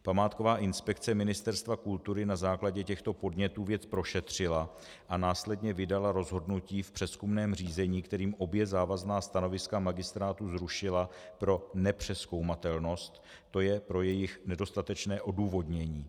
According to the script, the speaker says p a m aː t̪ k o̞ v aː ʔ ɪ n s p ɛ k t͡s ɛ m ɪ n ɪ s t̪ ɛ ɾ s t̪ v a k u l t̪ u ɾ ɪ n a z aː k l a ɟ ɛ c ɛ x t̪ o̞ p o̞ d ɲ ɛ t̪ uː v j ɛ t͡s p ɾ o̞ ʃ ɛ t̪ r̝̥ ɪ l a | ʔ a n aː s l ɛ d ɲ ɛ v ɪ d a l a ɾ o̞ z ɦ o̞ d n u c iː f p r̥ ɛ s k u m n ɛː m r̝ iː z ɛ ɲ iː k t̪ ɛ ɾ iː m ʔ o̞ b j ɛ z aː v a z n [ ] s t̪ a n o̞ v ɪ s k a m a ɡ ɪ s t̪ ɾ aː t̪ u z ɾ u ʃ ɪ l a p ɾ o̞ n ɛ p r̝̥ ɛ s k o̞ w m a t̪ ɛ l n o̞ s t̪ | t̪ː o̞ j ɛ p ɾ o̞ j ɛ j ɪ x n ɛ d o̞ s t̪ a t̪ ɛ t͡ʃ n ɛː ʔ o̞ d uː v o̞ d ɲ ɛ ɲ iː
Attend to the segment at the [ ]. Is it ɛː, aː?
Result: aː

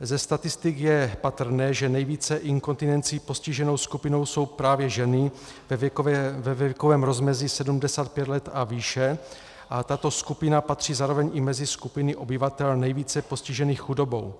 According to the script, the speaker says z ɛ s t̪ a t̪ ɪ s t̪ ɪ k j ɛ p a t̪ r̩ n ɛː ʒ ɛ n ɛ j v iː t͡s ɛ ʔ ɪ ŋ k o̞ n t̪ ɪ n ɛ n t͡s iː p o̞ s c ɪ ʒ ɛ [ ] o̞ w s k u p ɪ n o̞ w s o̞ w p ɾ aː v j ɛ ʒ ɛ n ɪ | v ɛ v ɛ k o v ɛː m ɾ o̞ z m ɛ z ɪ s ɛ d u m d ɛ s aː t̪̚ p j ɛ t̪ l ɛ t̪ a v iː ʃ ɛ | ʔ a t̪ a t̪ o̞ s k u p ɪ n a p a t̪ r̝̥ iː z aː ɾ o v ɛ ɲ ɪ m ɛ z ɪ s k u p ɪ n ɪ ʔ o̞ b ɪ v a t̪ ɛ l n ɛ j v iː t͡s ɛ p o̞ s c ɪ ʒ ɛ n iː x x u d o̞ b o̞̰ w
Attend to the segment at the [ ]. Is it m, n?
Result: n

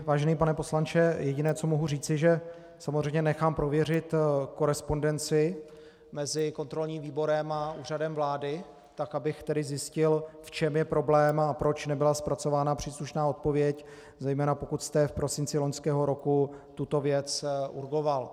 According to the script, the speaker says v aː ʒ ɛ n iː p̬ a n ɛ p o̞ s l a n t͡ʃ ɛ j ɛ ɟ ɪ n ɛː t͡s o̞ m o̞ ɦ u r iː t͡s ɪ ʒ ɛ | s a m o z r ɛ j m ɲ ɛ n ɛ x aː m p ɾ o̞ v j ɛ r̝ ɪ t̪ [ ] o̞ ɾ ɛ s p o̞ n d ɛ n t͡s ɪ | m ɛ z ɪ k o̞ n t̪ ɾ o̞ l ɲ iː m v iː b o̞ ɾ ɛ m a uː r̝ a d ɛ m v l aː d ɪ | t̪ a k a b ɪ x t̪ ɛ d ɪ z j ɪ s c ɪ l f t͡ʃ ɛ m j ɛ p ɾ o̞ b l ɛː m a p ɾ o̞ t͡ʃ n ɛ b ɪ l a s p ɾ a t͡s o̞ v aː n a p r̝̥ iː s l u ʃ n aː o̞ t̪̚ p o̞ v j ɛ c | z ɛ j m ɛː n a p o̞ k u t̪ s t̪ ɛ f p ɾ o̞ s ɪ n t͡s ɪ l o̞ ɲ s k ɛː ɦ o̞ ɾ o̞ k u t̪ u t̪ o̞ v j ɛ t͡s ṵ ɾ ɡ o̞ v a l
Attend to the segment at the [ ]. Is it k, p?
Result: k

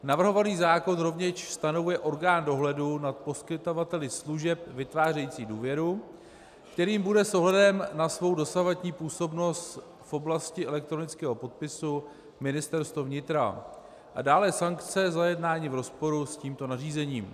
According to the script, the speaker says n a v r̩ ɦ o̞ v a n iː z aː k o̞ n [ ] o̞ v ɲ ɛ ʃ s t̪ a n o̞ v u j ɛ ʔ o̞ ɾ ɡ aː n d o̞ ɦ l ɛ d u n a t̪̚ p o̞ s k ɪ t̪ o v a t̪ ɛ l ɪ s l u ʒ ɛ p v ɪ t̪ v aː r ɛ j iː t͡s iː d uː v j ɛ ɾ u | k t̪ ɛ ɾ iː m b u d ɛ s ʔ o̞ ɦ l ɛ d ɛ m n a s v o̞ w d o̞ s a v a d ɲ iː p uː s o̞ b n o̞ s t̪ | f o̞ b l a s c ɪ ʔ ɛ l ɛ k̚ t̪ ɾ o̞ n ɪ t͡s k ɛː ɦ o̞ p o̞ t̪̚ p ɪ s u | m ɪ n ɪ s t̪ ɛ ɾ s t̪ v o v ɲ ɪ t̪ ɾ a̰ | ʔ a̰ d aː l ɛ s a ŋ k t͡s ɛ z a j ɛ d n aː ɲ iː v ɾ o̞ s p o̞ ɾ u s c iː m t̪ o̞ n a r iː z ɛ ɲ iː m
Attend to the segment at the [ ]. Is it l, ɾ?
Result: ɾ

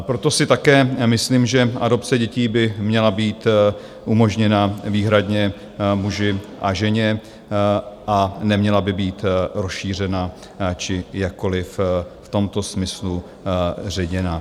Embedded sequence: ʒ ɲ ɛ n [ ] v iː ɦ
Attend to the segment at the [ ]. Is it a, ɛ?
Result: a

